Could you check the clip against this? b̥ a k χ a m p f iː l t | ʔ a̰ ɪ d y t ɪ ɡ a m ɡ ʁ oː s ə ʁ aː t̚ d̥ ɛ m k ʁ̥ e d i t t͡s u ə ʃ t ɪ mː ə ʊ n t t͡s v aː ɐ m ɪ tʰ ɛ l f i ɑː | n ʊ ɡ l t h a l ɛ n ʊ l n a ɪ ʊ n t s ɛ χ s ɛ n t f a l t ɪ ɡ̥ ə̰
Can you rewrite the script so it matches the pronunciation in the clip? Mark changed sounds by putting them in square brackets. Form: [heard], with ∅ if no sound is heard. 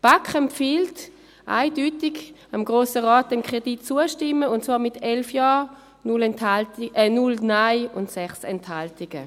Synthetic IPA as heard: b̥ a k χ [ɛ] m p f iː l t | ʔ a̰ ɪ d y t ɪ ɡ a m ɡ ʁ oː s ə ʁ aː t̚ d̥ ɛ m k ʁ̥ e d i t t͡s u ə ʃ t ɪ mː ə ʊ n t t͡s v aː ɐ m ɪ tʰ ɛ l f [j] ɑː | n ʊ [∅] l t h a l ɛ n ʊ l n a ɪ ʊ n t s ɛ χ s ɛ n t [h] a l t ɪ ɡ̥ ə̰

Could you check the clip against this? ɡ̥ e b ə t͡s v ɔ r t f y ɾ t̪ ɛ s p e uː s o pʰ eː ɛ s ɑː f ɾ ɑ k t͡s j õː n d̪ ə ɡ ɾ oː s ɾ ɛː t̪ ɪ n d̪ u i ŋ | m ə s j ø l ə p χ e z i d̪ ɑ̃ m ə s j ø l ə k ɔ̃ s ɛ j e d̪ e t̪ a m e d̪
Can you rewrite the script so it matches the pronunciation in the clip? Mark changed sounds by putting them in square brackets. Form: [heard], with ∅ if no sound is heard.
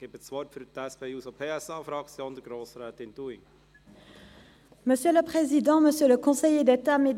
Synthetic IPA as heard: ɡ̥ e b ə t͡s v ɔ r t f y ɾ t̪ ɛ s p e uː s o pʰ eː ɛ s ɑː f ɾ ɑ k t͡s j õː n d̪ ə ɡ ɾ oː s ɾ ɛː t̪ ɪ n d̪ u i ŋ | m ə s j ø l ə p χ e z i d̪ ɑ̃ m ə s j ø l ə k ɔ̃ s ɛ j e d̪ e t̪ a m e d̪

